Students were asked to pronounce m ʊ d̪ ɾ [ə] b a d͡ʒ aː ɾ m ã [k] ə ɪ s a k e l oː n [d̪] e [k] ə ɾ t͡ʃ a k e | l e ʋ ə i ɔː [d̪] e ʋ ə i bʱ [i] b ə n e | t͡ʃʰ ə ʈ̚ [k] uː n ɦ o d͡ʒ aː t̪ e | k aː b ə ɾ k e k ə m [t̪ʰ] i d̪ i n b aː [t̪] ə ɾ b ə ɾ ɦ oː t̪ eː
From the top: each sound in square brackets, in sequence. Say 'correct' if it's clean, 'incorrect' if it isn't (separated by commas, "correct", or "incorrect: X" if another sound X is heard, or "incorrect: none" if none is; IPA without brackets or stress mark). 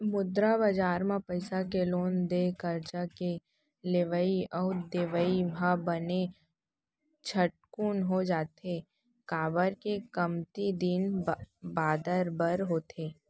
incorrect: a, incorrect: p, correct, correct, correct, incorrect: a, correct, incorrect: t̪, incorrect: d̪